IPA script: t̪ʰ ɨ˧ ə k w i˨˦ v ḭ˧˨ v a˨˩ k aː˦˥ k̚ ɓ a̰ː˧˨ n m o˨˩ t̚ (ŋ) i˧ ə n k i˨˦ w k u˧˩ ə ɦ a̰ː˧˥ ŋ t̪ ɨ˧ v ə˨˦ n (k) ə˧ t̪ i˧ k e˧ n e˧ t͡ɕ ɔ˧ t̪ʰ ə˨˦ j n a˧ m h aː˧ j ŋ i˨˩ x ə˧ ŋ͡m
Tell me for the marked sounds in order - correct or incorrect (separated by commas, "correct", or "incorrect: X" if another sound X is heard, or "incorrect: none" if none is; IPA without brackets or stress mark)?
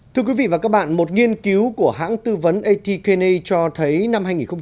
correct, incorrect: ʔ